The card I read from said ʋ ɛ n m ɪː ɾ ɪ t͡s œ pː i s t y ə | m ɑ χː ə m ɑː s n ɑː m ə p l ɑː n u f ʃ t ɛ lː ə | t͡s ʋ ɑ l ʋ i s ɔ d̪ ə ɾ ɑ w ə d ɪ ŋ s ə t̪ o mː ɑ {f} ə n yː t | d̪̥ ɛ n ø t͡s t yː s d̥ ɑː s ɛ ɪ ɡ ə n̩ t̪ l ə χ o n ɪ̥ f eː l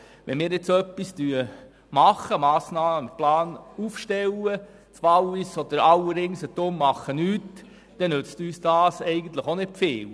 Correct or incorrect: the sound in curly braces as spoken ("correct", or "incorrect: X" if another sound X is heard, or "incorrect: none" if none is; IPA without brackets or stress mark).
incorrect: χ